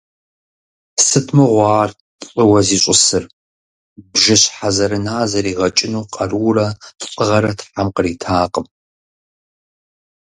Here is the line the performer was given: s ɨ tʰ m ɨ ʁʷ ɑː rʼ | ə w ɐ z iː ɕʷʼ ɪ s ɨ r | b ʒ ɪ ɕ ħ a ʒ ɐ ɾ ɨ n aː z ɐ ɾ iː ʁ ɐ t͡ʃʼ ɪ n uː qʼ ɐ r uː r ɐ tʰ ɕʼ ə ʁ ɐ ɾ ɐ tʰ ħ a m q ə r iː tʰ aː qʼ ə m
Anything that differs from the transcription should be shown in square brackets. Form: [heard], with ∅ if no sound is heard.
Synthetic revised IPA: s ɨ tʰ m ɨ ʁʷ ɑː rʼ | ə w ɐ z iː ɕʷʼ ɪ s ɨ r | b ʒ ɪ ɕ ħ a [z] ɐ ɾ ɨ n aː z ɐ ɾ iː ʁ ɐ t͡ʃʼ ɪ n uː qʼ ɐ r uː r ɐ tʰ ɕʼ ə ʁ ɐ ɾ ɐ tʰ ħ a m q ə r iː tʰ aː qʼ ə m